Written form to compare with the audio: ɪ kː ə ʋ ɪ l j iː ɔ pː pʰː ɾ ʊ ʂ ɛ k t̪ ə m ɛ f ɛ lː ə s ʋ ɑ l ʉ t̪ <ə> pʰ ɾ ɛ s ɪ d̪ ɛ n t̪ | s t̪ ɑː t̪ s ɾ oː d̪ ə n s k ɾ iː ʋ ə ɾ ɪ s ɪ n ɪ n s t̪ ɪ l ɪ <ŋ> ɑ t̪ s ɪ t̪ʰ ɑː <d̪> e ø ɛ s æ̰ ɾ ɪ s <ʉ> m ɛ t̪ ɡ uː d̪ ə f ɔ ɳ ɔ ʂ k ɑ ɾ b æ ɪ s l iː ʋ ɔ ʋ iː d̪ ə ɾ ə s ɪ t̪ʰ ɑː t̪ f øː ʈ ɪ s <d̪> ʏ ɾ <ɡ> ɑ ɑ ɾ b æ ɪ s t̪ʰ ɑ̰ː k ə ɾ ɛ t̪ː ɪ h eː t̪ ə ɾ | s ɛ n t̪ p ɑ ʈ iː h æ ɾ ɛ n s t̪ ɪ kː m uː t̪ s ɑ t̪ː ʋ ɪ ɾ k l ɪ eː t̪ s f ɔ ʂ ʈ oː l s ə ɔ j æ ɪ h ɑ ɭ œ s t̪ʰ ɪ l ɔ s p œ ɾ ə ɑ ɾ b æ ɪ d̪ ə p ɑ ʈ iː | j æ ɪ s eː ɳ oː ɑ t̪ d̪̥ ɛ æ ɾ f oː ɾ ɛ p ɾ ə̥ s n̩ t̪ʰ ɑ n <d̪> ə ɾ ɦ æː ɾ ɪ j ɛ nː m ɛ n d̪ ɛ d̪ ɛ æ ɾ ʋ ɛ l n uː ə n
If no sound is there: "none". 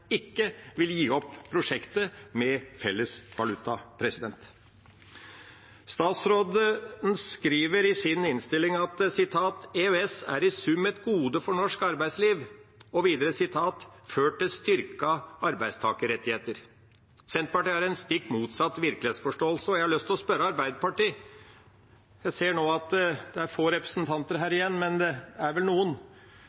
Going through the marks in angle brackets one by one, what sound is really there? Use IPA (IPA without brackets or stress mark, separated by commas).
ɑ, ŋ, t̪, ʉ, t̪, k, t̪